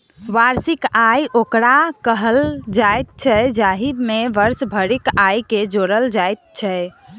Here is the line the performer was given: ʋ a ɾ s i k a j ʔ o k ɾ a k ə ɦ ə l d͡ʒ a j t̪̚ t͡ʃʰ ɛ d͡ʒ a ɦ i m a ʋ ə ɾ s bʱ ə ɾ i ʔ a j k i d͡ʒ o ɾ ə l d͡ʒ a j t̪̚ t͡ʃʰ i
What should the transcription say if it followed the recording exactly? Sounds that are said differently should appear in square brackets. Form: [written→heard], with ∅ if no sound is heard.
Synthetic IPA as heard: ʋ a ɾ s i k a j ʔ o k ɾ a k ə ɦ ə l d͡ʒ a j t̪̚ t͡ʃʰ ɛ d͡ʒ a ɦ i m [a→e] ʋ ə ɾ s bʱ ə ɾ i [ʔ→k] a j k [i→e] d͡ʒ o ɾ ə l d͡ʒ a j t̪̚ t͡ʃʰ [i→ɛ]